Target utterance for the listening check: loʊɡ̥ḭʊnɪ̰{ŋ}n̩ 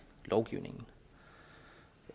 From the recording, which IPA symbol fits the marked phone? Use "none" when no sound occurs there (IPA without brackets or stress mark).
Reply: ŋ